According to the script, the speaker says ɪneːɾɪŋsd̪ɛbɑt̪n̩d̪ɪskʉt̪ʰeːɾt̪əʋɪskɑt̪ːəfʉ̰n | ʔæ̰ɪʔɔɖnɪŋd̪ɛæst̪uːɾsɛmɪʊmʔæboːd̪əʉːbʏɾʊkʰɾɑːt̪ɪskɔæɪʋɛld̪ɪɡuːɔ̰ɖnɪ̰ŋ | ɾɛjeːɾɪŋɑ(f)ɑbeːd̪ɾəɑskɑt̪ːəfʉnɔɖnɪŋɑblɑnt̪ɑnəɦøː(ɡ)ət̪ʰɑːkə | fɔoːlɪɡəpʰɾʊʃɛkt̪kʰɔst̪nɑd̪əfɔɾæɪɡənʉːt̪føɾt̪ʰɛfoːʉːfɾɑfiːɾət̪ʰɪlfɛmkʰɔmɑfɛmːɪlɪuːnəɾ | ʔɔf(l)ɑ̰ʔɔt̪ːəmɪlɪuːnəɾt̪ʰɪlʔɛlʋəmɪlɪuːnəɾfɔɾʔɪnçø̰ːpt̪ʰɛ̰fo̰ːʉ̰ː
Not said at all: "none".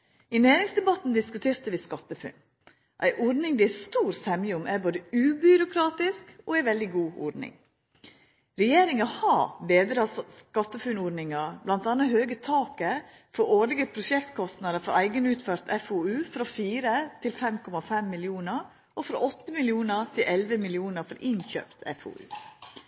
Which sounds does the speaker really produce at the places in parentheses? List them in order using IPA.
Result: h, ɡ, ɾ

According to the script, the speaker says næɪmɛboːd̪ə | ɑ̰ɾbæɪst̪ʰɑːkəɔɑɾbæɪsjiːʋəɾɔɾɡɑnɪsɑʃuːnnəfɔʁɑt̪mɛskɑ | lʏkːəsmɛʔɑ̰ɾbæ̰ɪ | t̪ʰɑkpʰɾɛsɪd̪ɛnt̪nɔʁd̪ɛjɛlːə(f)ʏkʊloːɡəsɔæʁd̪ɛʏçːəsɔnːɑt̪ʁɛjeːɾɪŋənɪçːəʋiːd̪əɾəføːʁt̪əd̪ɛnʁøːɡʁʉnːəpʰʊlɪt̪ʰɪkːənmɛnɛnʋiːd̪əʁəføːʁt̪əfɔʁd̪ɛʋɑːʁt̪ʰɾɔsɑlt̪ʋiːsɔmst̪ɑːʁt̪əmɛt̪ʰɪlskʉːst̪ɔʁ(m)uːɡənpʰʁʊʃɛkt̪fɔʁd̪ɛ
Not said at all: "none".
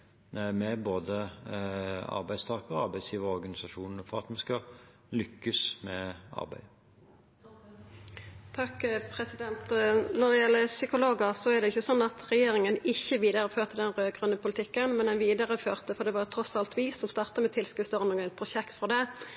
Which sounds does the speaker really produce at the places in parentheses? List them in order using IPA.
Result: s, n

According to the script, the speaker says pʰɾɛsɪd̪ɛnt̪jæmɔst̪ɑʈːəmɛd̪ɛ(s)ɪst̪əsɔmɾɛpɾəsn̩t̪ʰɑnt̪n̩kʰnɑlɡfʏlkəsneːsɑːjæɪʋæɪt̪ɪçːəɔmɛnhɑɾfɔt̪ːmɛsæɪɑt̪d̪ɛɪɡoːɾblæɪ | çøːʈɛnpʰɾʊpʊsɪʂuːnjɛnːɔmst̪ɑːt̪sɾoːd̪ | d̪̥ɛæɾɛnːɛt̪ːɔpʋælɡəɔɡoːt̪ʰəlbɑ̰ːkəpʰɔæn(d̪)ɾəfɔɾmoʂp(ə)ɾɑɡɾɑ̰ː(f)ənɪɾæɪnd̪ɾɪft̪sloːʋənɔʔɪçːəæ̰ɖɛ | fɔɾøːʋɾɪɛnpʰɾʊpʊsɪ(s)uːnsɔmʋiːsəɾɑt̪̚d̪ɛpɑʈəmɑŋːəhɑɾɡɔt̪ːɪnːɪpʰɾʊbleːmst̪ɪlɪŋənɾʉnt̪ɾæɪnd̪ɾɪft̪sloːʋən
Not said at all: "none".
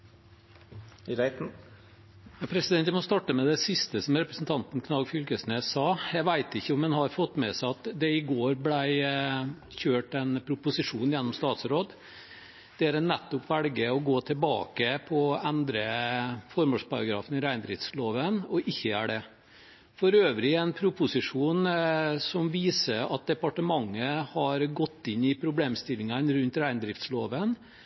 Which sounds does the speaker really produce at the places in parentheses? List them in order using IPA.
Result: s, d̪, ɑ, f, ʂ

